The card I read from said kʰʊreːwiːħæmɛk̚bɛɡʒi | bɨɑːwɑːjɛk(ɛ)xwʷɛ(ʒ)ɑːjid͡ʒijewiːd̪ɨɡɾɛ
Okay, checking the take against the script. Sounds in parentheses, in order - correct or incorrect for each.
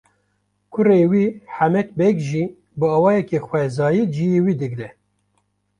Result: incorrect: e, incorrect: z

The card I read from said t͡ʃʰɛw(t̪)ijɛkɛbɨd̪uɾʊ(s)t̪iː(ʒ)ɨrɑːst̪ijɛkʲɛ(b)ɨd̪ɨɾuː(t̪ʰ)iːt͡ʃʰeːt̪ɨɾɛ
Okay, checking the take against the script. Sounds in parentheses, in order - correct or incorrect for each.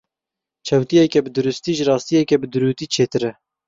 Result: correct, correct, correct, correct, incorrect: t̪

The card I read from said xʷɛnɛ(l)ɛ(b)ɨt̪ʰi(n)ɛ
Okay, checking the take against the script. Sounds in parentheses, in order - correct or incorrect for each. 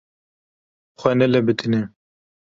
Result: correct, correct, correct

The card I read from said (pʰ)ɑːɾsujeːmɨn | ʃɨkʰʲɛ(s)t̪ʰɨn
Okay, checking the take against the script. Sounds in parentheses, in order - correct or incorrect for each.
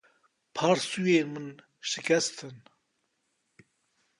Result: correct, correct

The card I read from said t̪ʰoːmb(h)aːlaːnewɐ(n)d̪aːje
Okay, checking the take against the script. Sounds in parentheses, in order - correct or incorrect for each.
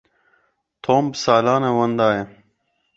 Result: incorrect: s, correct

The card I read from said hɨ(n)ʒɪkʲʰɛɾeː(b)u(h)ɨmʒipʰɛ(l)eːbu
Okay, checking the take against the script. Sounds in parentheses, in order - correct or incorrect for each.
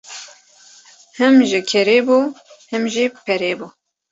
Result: incorrect: m, correct, correct, incorrect: ɾ

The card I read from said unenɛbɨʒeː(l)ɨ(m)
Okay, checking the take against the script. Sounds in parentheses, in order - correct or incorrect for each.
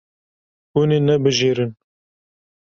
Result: incorrect: ɾ, incorrect: n

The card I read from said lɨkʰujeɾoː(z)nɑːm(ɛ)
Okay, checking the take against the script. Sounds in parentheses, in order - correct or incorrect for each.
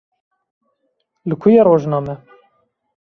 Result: incorrect: ʒ, correct

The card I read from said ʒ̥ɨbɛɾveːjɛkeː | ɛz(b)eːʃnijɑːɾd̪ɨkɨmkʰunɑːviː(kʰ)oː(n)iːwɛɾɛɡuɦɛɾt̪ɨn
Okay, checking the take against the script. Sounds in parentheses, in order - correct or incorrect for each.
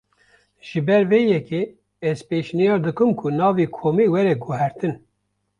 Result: incorrect: p, correct, incorrect: m

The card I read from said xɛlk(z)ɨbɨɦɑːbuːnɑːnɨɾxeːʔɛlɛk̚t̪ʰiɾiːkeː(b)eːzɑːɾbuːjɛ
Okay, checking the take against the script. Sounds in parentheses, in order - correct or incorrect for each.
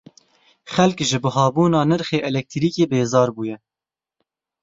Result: incorrect: ʒ, correct

